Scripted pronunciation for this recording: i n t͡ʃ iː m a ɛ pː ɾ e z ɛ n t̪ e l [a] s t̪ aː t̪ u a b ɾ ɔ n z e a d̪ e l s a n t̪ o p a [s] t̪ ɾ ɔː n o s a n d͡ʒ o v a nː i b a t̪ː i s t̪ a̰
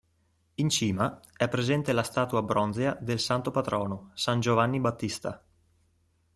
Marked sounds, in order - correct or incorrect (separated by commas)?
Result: correct, incorrect